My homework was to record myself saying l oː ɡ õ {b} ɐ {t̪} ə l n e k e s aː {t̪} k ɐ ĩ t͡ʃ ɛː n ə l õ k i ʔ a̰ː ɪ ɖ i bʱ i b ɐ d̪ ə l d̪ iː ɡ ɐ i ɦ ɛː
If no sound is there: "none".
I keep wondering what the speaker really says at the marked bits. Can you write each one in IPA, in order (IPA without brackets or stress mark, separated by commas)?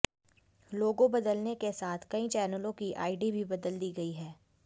b, d̪, t̪ʰ